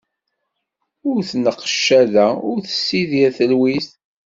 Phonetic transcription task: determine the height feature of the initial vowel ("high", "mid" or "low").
high